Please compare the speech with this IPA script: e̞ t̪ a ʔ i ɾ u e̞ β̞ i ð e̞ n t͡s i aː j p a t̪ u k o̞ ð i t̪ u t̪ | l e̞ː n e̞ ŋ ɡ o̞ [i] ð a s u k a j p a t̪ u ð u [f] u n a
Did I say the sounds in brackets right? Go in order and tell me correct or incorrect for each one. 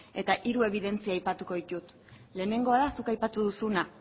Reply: incorrect, incorrect

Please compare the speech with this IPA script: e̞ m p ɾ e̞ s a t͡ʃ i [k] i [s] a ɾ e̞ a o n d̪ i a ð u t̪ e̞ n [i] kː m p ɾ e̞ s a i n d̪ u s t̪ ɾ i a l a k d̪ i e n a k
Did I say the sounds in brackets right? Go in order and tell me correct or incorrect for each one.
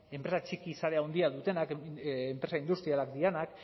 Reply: correct, correct, incorrect

